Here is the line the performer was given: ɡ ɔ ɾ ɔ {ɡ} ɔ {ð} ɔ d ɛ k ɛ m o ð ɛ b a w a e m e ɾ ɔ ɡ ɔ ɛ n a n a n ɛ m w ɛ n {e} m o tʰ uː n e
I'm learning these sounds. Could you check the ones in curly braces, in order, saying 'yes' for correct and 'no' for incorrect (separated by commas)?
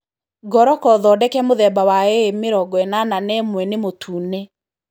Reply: no, yes, yes